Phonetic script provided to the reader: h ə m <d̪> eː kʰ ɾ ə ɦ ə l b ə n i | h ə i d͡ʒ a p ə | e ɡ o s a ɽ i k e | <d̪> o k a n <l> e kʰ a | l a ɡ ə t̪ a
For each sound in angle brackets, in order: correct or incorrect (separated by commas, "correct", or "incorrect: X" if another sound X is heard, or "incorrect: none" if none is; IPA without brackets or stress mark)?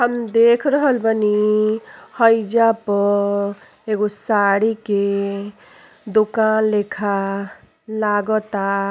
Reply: correct, correct, correct